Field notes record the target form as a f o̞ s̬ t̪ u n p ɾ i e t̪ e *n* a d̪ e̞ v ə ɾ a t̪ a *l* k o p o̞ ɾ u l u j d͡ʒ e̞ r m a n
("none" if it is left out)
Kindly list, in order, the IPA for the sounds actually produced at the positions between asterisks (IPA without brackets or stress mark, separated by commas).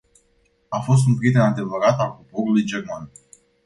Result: n, l